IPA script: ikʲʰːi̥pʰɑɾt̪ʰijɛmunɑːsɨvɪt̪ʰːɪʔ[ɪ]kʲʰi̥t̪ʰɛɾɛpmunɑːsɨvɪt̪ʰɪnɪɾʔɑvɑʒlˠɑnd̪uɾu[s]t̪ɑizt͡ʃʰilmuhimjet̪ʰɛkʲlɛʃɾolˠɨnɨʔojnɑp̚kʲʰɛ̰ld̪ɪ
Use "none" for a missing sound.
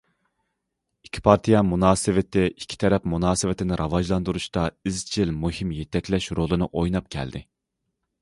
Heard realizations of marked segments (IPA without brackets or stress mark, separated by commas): i, ʃ